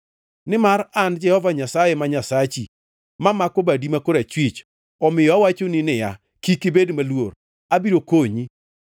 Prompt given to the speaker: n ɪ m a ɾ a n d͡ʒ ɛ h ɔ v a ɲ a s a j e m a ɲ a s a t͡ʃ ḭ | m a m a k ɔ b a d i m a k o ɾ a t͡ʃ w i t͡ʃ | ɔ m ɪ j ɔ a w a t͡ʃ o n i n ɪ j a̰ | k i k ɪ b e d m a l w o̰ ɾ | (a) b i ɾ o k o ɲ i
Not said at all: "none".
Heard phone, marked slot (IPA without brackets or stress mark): a